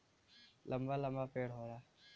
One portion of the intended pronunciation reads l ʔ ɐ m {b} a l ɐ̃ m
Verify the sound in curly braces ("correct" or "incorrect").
correct